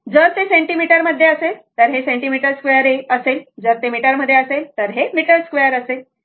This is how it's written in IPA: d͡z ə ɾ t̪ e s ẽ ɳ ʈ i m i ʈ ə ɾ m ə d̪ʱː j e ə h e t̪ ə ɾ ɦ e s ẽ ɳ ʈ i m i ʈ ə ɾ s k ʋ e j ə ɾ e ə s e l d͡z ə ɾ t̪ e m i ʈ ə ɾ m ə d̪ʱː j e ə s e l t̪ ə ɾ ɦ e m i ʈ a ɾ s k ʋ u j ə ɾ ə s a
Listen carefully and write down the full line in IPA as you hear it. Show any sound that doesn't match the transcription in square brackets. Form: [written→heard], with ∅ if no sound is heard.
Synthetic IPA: d͡z ə ɾ t̪ e s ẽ ɳ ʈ i m i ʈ ə ɾ m ə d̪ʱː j e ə [h→s] e t̪ ə ɾ ɦ e s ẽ ɳ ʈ i m i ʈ ə ɾ s k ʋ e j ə ɾ e ə s e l d͡z ə ɾ t̪ e m i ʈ ə ɾ m ə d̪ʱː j e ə s e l t̪ ə ɾ ɦ e m i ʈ [a→ə] ɾ s k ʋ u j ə ɾ ə s [a→e]